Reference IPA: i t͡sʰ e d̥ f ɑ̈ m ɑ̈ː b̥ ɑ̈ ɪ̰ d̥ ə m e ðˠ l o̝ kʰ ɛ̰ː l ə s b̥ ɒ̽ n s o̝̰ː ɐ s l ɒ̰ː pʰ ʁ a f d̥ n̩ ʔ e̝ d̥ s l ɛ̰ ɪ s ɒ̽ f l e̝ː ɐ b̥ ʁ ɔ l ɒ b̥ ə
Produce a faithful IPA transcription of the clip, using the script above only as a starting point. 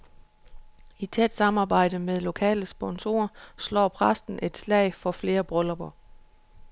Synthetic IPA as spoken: i t͡sʰ e d̥ s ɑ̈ m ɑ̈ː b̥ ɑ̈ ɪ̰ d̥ ə m e ðˠ l o̝ kʰ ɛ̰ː l ə s b̥ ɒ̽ n s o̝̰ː ɐ s l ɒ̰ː pʰ ʁ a s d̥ n̩ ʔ e̝ d̥ s l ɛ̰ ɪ f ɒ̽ f l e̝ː ɐ b̥ ʁ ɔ l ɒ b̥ ɐ